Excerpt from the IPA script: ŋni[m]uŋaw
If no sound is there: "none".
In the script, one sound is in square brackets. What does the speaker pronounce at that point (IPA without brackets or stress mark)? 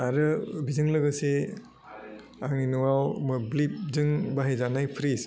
n